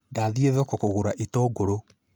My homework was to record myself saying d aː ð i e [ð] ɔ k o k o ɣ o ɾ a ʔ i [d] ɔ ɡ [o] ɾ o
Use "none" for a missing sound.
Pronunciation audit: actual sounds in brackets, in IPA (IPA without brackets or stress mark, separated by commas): ð, t, o